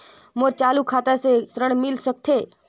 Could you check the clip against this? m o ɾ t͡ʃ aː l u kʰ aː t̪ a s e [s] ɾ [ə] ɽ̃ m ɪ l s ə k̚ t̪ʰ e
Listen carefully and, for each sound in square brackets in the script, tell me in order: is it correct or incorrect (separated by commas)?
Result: correct, correct